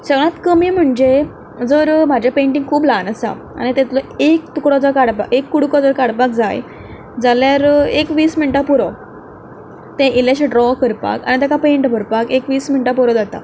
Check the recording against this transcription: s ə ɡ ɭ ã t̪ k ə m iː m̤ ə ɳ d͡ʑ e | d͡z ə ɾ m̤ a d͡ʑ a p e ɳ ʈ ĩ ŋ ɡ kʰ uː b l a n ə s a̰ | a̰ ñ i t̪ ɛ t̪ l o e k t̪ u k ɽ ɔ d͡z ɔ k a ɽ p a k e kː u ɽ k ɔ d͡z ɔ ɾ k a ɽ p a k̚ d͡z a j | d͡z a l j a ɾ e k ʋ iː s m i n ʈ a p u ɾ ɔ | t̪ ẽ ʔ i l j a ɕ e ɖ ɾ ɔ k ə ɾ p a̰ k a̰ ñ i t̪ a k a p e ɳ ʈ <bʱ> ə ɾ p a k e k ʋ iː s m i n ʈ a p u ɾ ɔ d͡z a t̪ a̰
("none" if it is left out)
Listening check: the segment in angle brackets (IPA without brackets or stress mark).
bʱ